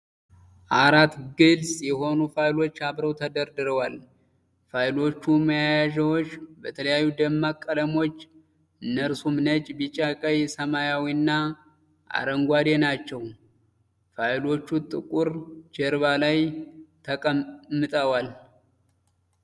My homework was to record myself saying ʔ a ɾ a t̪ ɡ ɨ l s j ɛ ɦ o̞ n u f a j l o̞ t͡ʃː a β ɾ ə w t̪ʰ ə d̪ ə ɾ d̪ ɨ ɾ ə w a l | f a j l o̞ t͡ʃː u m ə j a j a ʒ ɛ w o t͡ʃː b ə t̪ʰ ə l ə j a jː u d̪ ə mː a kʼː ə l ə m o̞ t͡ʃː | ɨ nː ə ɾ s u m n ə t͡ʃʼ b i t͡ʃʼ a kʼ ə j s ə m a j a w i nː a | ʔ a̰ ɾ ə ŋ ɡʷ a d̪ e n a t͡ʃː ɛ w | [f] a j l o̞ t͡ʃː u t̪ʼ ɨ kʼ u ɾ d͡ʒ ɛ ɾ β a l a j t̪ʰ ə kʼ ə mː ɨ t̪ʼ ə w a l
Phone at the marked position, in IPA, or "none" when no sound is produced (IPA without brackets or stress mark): f